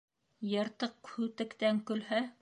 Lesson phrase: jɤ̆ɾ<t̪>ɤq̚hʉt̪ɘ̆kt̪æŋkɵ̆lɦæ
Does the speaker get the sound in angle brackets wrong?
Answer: no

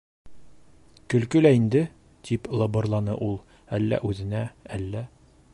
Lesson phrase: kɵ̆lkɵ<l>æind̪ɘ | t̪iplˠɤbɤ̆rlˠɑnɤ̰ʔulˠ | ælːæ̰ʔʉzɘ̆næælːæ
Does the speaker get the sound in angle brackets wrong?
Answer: no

